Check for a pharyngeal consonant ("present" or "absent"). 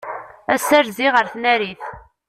absent